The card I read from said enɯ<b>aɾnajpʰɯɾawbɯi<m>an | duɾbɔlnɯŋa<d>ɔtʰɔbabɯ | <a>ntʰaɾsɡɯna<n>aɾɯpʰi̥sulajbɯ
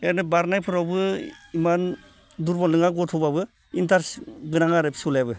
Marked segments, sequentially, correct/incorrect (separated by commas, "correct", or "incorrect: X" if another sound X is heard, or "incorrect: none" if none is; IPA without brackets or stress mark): correct, correct, incorrect: ɡ, incorrect: i, incorrect: ŋ